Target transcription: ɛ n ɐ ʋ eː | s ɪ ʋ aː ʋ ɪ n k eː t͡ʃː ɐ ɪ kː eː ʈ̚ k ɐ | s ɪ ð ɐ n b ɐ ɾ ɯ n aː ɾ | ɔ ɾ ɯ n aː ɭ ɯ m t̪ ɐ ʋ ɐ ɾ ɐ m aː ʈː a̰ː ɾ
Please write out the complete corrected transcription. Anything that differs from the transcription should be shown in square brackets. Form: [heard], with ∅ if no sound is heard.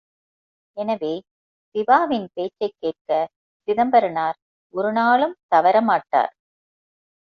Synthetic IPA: ɛ n ɐ ʋ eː | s ɪ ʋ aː ʋ ɪ n [p] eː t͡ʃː ɐ ɪ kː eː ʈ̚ k ɐ | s ɪ ð ɐ [m] b ɐ ɾ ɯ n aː ɾ | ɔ ɾ ɯ n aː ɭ ɯ m t̪ ɐ ʋ ɐ ɾ ɐ m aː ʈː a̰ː ɾ